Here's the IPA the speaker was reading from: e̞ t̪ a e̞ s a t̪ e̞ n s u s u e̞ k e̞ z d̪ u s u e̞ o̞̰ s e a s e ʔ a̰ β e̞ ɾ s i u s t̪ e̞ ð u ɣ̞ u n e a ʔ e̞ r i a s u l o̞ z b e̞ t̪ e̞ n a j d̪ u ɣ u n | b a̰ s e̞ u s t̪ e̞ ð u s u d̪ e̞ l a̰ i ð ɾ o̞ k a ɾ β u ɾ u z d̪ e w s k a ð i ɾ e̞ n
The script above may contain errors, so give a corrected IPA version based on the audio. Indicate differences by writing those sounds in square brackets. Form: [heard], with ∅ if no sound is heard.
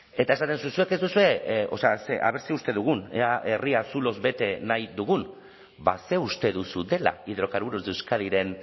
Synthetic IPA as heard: e̞ t̪ a e̞ s a t̪ e̞ n s u s u e̞ k e̞ z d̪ u s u e̞ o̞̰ s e a s e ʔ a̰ β e̞ ɾ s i u s t̪ e̞ ð u ɣ̞ u n e a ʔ e̞ r i a s u l o̞ z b e̞ t̪ e̞ n a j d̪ u ɣ u n | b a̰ s e̞ u s t̪ e̞ ð u s u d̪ e̞ l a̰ i ð ɾ o̞ k a ɾ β u ɾ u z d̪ e w s k a ð i ɾ e̞ n